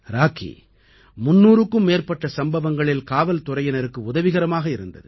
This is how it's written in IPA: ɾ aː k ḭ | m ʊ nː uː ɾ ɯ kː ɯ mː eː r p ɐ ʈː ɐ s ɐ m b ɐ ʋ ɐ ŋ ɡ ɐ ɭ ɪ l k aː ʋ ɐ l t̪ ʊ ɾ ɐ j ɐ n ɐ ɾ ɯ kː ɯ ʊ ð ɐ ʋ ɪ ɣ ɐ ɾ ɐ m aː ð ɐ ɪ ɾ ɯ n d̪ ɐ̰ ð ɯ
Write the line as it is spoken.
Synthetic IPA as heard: ɾ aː k ḭ | m ʊ nː uː ɾ ɯ kː ɯ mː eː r p ɐ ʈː ɐ s ɐ m b ɐ ʋ ɐ ŋ ɡ ɐ ɭ ɪ l k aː ʋ ɐ l t̪ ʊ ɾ ɐ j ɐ n ɐ ɾ ɯ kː ɯ ʊ ð ɐ ʋ ɪ ɣ ɐ ɾ ɐ m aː ɣ ɐ ɪ ɾ ɯ n d̪ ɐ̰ ð ɯ